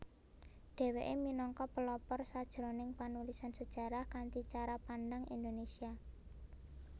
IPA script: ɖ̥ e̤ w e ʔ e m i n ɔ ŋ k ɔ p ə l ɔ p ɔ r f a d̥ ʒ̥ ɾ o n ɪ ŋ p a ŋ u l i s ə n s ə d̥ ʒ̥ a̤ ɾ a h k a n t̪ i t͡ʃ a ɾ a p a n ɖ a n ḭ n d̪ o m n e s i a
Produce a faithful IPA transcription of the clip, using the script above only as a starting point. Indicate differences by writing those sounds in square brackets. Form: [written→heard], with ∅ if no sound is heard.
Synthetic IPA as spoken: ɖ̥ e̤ w e ʔ e m i n ɔ ŋ k ɔ p ə l ɔ p ɔ r [f→s] a d̥ ʒ̥ ɾ o n ɪ ŋ p a [ŋ→n] u l i s [ə→a] n s ə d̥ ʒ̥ a̤ ɾ a h k a n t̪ i t͡ʃ a ɾ a p a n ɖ a [n→ŋ] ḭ n d̪ o [m→∅] n e s i a